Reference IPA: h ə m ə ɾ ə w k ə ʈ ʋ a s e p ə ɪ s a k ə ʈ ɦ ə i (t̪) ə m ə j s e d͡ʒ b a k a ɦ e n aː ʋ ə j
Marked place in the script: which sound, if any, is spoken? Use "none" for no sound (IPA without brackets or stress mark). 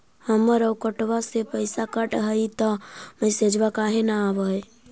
t̪